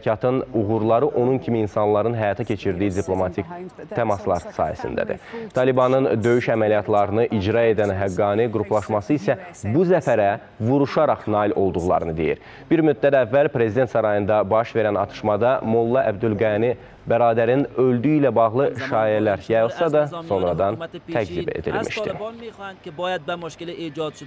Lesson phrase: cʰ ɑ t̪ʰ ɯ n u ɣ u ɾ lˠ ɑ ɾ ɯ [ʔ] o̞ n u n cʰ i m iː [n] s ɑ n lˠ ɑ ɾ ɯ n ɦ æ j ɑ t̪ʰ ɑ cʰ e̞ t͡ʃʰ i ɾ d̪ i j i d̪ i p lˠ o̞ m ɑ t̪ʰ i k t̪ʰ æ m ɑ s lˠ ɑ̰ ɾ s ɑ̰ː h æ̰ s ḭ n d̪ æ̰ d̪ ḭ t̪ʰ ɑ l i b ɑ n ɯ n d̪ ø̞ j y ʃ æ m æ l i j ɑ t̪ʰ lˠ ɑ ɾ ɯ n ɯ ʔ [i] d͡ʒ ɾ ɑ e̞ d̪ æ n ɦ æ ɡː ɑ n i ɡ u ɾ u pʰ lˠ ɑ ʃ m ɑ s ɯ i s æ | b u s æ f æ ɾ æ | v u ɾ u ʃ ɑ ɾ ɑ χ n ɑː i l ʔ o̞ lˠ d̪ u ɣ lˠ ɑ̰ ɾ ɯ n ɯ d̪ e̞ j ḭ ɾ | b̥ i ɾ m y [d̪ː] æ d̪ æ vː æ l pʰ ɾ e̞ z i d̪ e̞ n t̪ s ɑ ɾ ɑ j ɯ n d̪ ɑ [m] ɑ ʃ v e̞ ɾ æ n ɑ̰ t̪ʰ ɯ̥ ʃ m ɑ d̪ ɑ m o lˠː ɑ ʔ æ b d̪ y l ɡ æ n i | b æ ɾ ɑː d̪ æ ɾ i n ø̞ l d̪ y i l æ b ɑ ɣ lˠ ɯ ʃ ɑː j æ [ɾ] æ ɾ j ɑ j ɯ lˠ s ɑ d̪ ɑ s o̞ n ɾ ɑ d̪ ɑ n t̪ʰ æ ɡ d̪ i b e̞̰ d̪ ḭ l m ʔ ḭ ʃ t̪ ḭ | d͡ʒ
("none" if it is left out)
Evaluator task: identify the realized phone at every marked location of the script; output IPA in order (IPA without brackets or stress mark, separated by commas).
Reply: ʔ, n, i, d̪ː, b, l